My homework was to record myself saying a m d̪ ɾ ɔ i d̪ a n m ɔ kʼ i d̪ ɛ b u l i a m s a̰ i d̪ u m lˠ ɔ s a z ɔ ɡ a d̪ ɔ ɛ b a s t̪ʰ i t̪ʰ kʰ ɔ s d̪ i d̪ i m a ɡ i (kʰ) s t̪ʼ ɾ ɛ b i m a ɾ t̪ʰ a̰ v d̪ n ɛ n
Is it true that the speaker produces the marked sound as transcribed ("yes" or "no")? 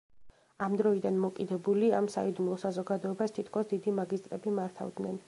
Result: no